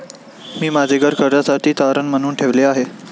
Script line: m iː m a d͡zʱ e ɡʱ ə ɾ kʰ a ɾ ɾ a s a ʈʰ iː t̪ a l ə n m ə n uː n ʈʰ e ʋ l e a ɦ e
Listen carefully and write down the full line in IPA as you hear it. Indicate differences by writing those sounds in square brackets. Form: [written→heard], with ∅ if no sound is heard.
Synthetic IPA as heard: m iː m a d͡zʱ e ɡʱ ə ɾ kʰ [a→ə] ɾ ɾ a s a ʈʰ iː t̪ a [l→ɾ] ə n m ə n uː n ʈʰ e ʋ l e a ɦ e